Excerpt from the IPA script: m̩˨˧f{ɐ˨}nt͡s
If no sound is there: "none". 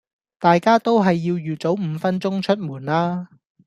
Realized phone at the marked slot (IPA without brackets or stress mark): ɐ˥